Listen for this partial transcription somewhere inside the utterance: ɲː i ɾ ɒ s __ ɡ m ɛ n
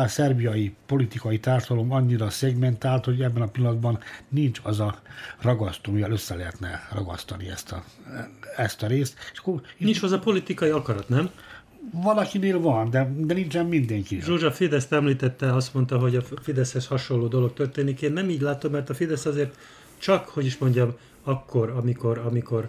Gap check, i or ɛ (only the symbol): ɛ